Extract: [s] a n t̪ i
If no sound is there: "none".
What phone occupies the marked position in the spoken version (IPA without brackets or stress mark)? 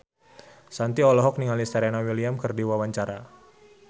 s